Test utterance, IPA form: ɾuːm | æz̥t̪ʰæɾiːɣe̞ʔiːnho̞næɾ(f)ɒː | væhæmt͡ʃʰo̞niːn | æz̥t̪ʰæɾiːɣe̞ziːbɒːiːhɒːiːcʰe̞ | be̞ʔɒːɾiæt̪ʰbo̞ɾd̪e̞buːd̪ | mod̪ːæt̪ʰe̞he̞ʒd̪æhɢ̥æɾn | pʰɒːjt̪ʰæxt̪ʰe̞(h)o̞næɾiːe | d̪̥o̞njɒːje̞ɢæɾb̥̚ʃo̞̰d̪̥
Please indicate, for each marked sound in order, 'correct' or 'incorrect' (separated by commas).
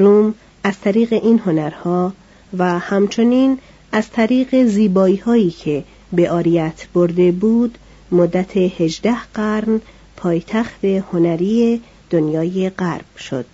incorrect, correct